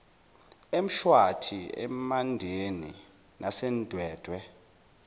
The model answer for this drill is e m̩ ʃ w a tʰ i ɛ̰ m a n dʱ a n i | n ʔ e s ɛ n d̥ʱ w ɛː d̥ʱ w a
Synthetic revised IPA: e m̩ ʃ w a tʰ i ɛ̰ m a n dʱ e n i | n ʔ a s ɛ n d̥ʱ w ɛː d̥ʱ w ɛ